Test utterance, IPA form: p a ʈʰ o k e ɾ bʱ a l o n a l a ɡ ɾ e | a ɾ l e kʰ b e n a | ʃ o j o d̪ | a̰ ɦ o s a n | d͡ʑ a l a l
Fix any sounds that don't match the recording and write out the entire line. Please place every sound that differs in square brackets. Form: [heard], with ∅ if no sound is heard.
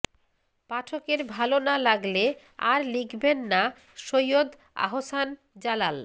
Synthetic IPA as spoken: p a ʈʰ o k e ɾ bʱ a l o n a l a ɡ [l] e | a ɾ l [i] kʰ b e [nː] a | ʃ o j o d̪ | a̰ ɦ o s a n | d͡ʑ a l a l

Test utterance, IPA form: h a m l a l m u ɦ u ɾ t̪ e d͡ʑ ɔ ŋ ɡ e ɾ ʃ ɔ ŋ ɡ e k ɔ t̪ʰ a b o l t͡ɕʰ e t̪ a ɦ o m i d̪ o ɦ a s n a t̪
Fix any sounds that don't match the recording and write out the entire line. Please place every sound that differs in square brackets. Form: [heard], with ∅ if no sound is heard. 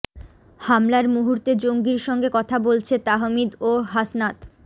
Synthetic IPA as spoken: h a m l a [ɾ] m u ɦ u ɾ t̪ e d͡ʑ [o] ŋ ɡ [i] ɾ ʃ ɔ ŋ ɡ e k ɔ t̪ʰ a b o l t͡ɕʰ e t̪ a ɦ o m i d̪ o ɦ a s n a t̪

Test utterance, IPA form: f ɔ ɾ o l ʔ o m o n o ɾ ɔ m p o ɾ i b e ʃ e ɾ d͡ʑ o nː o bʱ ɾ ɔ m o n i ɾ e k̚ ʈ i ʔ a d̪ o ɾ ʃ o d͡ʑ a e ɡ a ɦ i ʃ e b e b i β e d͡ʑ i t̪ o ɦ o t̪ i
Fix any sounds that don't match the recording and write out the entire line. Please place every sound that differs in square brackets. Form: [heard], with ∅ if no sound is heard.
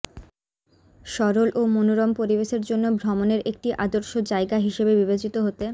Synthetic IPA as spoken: [ʃ] ɔ ɾ o l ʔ o m o n o ɾ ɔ m p o ɾ i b e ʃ e ɾ d͡ʑ o nː o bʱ ɾ ɔ m o n [e] ɾ e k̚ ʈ i ʔ a d̪ o ɾ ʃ o d͡ʑ a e ɡ a ɦ i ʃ e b e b i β e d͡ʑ i t̪ o ɦ o t̪ [e]

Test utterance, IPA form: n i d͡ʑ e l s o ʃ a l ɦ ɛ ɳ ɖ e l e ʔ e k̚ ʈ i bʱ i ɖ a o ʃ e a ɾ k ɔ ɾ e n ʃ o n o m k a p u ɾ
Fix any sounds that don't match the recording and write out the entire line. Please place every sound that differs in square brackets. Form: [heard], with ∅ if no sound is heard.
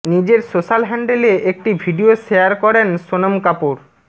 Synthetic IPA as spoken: n i d͡ʑ e [ɾ] s o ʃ a l ɦ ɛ ɳ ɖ e l e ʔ e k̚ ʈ i bʱ i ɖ [i] o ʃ e a ɾ k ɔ ɾ e n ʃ o n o m k a p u ɾ

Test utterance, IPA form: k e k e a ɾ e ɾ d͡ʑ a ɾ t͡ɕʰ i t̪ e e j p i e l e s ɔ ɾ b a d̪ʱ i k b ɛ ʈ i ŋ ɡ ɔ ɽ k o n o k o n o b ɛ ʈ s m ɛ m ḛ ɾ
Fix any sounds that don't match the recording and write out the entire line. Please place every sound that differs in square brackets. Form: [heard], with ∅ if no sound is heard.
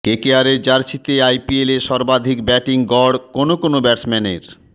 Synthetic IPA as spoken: k e k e a ɾ e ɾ d͡ʑ a ɾ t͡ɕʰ i t̪ e [a] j p i e l e [ʃ] ɔ ɾ b a d̪ʱ i k b ɛ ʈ i ŋ ɡ ɔ ɽ k o n o k o n o b ɛ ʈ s m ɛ [n] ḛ ɾ

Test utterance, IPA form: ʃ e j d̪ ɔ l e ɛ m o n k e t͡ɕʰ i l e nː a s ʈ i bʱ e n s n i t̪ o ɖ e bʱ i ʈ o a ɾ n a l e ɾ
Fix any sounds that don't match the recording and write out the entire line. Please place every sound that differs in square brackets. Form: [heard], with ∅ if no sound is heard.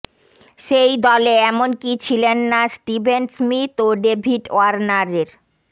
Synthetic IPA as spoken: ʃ e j d̪ ɔ l e ɛ m o n k [i] t͡ɕʰ i l e nː a s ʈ i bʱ e n s [m] i t̪ o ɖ e bʱ i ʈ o a ɾ n a [ɾ] e ɾ

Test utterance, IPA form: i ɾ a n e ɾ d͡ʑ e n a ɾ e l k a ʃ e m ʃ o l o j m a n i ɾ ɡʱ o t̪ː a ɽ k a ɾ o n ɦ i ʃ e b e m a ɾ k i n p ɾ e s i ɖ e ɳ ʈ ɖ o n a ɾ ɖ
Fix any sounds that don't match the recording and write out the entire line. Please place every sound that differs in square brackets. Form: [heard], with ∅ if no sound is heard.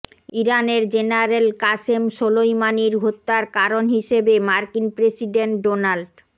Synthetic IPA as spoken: i ɾ a n e ɾ d͡ʑ e n a ɾ e l k a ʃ e m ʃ o l o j m a n i ɾ ɡʱ o t̪ː a [ɾ] k a ɾ o n ɦ i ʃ e b e m a ɾ k i n p ɾ e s i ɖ e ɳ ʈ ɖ o n a [l] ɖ

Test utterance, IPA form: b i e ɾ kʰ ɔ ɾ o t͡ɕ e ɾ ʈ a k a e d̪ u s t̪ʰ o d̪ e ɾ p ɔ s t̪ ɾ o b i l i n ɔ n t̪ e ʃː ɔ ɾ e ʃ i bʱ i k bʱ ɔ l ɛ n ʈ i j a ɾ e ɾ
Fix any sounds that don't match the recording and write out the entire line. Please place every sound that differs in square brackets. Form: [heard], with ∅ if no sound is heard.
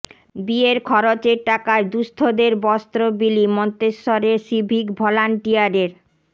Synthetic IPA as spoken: b i e ɾ kʰ ɔ ɾ o t͡ɕ e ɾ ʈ a k a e d̪ u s t̪ʰ o d̪ e ɾ [b] ɔ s t̪ ɾ o b i l i [m] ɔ n t̪ e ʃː ɔ ɾ e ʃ i bʱ i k bʱ ɔ l [a] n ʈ i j a ɾ e ɾ

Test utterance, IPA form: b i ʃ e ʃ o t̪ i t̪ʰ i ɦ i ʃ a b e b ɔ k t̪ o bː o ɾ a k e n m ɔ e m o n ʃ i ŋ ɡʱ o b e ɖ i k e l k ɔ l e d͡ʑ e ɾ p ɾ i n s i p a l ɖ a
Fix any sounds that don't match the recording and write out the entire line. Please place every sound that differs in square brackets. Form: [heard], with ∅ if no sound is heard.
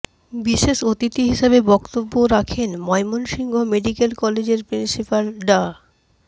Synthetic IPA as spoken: b i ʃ e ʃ o t̪ i [t̪] i ɦ i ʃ a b e b ɔ k t̪ o bː o ɾ a [kʰ] e n m ɔ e m o n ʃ i ŋ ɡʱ o [m] e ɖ i k e l k ɔ l e d͡ʑ e ɾ p ɾ i n s i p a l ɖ a

